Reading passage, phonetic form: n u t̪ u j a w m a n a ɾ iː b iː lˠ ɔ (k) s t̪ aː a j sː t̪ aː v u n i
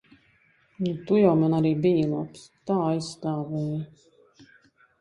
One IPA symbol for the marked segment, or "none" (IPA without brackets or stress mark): p